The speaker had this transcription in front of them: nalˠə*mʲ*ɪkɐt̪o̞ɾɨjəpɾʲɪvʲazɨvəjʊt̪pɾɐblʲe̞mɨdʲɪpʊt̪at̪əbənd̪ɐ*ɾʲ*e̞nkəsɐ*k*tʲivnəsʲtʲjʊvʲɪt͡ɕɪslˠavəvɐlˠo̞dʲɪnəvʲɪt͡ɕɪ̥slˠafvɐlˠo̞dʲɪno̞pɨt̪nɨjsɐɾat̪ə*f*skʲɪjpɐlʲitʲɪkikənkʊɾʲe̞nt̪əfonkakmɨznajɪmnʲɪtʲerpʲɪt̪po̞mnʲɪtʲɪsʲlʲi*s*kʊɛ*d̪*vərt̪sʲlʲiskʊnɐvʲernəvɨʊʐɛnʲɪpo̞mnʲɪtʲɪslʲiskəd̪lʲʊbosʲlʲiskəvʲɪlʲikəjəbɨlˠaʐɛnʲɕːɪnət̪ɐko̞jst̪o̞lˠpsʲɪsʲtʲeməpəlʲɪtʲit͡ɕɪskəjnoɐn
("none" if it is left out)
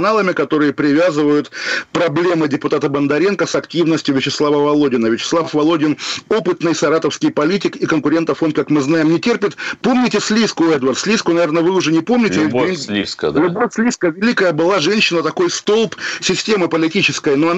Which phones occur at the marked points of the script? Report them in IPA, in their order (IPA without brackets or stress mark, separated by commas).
mʲ, ɾʲ, k, f, s, d̪